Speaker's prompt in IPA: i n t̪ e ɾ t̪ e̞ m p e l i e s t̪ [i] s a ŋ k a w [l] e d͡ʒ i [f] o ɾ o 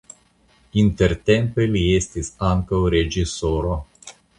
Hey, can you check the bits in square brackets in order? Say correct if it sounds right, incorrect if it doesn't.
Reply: correct, incorrect: ɾ, incorrect: s

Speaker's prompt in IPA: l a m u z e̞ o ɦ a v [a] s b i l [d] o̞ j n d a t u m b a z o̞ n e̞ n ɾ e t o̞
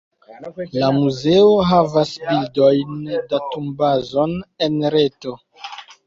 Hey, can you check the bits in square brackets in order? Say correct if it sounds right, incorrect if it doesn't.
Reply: correct, correct

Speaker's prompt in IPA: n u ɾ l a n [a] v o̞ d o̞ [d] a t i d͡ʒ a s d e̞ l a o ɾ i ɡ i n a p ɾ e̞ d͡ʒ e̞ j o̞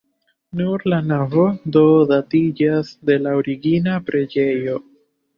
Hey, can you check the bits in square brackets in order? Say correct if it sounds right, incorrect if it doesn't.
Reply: correct, correct

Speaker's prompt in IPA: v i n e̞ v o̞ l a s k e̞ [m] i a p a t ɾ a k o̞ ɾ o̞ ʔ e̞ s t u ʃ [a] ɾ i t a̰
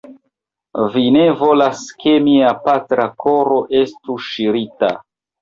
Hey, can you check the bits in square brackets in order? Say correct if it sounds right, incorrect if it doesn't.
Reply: correct, incorrect: i

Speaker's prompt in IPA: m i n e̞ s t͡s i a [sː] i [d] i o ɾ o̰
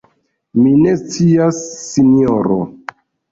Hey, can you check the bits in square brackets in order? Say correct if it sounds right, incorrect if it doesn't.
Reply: correct, incorrect: n

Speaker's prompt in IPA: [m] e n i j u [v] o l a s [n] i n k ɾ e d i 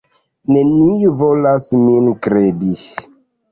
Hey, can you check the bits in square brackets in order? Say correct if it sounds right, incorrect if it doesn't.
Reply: incorrect: n, correct, incorrect: m

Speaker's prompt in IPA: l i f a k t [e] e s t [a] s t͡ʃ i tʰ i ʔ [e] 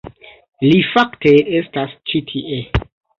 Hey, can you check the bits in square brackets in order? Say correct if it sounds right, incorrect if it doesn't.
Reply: correct, correct, correct

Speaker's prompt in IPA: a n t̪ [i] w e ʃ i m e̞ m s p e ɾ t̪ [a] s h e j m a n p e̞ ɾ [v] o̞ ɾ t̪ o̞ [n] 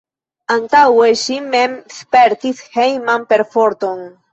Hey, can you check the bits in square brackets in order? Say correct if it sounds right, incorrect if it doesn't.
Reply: incorrect: a, incorrect: i, incorrect: f, correct

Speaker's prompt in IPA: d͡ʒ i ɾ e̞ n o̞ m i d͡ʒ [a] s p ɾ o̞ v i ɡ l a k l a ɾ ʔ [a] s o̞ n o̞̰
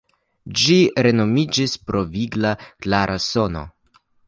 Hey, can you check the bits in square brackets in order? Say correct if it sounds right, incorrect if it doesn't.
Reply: incorrect: i, correct

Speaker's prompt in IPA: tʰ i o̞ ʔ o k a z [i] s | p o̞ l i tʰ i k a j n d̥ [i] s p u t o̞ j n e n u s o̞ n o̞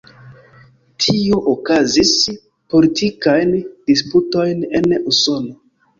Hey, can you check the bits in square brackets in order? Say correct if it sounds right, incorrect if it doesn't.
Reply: correct, correct

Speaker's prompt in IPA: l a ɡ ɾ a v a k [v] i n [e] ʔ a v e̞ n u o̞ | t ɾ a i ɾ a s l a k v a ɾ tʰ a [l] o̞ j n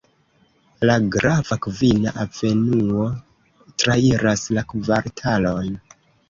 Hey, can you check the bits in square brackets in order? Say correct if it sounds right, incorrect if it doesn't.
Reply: correct, incorrect: a, correct

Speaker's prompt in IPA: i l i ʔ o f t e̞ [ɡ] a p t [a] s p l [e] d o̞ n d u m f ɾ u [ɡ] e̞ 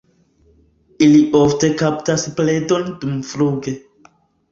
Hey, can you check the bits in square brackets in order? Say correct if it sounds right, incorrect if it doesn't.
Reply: incorrect: k, correct, correct, correct

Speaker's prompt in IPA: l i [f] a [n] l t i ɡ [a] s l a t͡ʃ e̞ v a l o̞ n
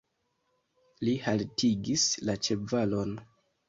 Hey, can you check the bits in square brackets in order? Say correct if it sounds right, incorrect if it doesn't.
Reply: incorrect: h, incorrect: none, incorrect: i

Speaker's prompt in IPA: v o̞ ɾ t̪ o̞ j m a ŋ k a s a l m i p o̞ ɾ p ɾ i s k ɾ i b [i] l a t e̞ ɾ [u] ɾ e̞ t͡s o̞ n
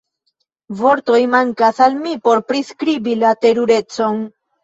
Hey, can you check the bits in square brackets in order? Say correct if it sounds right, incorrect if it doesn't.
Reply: correct, correct

